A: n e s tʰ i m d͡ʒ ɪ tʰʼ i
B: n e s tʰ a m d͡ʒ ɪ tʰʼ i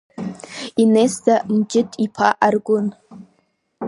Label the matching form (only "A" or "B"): B